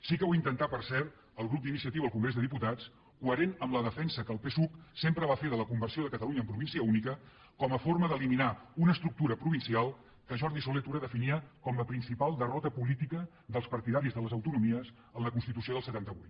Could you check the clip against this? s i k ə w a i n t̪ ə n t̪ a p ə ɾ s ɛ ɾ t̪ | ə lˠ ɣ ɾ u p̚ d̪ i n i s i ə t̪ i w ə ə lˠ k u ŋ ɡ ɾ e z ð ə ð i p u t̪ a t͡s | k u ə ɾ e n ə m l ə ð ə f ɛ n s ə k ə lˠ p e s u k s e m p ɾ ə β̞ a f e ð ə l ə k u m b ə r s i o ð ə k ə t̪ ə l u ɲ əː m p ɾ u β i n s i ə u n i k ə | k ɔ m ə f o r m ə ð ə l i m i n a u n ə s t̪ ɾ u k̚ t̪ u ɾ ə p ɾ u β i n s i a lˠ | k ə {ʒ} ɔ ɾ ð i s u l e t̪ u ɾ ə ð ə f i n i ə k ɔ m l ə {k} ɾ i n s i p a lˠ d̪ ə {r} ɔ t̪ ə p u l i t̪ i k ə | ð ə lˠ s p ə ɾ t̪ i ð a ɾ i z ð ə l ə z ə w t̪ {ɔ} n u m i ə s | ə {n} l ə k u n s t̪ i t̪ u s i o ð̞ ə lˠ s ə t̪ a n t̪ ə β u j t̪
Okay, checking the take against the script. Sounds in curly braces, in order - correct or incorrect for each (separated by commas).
correct, incorrect, correct, incorrect, correct